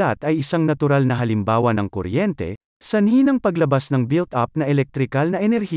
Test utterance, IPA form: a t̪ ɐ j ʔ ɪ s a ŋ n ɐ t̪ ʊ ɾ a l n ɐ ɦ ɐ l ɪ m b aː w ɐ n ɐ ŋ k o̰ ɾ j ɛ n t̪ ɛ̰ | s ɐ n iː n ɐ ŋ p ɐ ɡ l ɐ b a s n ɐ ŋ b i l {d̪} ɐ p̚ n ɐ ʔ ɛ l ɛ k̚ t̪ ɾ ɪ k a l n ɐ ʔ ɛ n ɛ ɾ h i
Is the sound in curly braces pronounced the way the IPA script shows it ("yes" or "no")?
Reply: no